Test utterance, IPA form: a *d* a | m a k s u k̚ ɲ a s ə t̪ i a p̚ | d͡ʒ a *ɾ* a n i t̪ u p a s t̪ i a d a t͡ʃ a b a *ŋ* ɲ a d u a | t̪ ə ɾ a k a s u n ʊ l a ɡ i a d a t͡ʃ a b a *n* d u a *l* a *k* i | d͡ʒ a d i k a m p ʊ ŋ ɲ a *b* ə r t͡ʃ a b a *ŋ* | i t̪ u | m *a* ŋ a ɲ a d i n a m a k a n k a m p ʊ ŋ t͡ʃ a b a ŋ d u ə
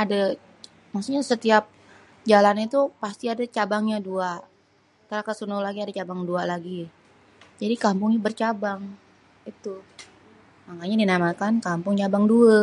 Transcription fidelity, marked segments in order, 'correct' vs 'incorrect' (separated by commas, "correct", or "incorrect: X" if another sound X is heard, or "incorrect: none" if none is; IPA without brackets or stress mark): correct, incorrect: l, correct, incorrect: ŋ, correct, incorrect: ɡ, correct, correct, correct